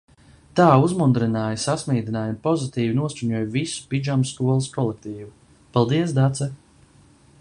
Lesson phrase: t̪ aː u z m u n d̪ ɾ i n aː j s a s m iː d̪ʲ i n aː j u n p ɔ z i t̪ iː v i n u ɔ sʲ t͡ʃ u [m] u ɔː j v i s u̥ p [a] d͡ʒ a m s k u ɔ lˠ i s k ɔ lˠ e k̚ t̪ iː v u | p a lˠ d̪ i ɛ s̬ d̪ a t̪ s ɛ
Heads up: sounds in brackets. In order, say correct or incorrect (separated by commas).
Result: incorrect, incorrect